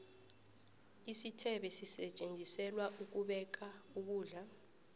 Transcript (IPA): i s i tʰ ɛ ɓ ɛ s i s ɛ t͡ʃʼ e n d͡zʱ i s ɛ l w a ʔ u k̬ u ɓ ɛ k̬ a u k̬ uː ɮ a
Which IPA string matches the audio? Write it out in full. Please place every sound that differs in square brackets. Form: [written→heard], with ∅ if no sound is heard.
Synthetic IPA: i s i tʰ ɛ ɓ ɛ s i s ɛ t͡ʃʼ e n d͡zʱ i s ɛ l w a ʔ u k̬ u ɓ ɛ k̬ a u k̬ uː ɮ a